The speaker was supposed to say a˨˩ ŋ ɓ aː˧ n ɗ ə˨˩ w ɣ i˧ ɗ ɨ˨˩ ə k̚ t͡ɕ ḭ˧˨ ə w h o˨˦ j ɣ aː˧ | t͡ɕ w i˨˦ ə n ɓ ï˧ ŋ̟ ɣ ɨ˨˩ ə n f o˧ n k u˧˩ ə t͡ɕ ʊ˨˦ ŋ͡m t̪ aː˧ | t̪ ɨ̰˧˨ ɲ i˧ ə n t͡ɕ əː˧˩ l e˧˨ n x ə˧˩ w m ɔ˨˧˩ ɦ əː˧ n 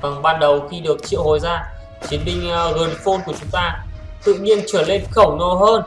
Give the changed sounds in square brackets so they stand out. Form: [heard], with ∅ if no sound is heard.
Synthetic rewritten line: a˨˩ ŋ ɓ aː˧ n ɗ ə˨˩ w [x] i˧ ɗ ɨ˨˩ ə k̚ t͡ɕ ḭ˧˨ ə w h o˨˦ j [z] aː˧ | t͡ɕ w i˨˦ ə n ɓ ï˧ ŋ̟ ɣ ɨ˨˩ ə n f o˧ n k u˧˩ ə t͡ɕ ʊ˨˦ ŋ͡m t̪ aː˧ | t̪ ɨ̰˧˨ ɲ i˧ ə n t͡ɕ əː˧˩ l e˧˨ n x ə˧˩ w [n] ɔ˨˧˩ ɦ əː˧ n